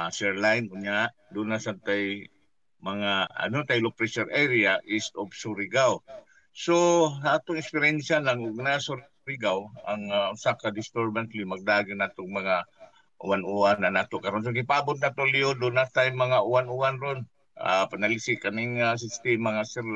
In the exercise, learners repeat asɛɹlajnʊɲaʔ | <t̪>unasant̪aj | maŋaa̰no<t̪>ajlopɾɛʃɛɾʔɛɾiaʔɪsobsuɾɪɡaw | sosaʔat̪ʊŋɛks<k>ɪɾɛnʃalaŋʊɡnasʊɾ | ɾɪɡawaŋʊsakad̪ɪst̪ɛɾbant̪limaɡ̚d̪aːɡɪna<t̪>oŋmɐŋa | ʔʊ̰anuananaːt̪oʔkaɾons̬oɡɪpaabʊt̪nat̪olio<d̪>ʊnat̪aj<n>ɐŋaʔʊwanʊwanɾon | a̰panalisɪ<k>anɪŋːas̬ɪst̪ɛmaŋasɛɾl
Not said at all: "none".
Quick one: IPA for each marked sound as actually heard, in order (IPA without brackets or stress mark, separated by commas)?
d̪, t̪, p, t̪, d̪, m, k